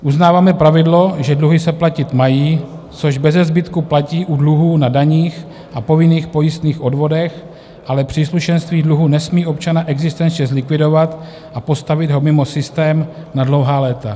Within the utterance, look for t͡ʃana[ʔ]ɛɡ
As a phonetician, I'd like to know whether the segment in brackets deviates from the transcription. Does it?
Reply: no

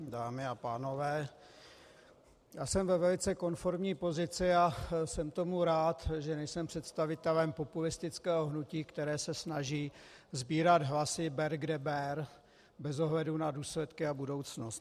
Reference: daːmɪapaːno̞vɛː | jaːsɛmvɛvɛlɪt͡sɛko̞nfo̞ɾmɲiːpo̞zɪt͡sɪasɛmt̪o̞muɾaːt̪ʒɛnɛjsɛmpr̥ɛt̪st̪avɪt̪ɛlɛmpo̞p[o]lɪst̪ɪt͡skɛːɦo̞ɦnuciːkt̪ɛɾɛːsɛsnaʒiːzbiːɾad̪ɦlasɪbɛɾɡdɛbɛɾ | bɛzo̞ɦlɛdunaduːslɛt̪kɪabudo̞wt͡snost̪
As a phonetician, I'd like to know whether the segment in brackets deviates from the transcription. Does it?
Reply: yes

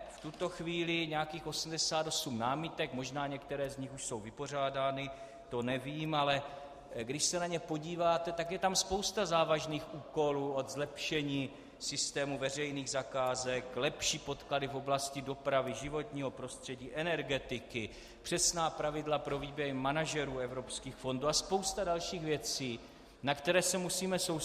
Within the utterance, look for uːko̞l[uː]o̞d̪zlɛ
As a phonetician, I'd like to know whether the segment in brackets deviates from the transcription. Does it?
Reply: no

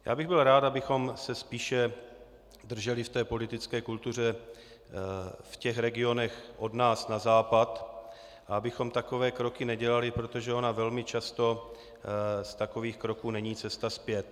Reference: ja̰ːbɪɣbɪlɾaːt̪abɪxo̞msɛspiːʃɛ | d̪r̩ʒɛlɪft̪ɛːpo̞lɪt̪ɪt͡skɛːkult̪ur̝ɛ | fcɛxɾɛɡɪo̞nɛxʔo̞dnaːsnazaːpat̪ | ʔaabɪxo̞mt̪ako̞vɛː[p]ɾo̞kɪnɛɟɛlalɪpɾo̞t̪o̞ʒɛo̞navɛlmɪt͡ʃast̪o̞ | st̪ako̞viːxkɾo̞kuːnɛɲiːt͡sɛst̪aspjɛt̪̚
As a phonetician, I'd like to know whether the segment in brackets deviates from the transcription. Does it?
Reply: yes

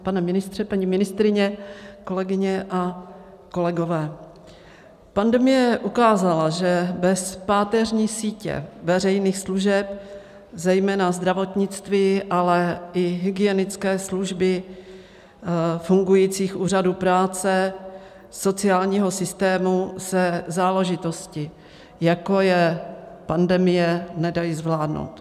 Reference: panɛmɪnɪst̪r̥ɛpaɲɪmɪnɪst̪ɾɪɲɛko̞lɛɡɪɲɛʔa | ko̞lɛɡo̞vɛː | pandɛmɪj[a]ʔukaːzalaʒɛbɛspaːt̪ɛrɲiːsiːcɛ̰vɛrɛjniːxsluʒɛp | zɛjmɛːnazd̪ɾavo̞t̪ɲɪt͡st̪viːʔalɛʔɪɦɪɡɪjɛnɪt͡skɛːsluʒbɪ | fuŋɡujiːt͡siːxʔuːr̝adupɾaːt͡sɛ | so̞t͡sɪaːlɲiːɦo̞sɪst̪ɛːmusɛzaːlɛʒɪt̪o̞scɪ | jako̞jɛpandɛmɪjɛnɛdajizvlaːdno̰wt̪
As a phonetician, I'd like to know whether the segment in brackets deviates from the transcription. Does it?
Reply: yes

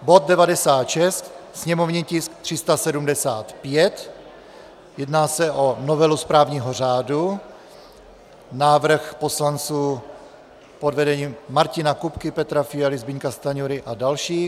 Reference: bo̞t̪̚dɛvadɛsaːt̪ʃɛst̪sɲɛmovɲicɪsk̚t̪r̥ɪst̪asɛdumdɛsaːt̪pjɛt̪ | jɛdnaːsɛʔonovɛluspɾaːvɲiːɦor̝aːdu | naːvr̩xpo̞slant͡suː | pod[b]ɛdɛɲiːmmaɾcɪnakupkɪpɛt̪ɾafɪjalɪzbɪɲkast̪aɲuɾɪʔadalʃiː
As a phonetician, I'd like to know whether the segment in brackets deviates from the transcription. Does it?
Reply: yes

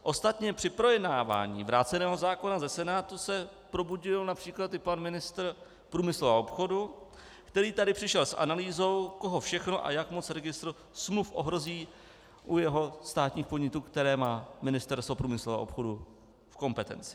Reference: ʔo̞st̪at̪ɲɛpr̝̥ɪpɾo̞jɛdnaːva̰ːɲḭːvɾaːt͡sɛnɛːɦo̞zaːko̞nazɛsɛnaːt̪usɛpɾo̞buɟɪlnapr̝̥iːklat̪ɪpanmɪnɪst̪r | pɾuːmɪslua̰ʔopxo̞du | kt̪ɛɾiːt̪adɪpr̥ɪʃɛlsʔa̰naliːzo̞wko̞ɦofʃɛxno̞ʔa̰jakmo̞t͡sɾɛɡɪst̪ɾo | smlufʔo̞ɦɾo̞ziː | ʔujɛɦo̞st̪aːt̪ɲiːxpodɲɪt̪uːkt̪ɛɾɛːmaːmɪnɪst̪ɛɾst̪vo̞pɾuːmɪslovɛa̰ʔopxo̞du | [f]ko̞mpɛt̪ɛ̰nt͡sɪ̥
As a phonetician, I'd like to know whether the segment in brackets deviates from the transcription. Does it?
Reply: no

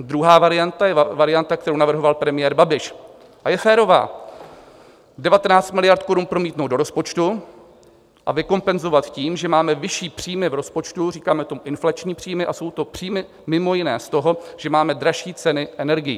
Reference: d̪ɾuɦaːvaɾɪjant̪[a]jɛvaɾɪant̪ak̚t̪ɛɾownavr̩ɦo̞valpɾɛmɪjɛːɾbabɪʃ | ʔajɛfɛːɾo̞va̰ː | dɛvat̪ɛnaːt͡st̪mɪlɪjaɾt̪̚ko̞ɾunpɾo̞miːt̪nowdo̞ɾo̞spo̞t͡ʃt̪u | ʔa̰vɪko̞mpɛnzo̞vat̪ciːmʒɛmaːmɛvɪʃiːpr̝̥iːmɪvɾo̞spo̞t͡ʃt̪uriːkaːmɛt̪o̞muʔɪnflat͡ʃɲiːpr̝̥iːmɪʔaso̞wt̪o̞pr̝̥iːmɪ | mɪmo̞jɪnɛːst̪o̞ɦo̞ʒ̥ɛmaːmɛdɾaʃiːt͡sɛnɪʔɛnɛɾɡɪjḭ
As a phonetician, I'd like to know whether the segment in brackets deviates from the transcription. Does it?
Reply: no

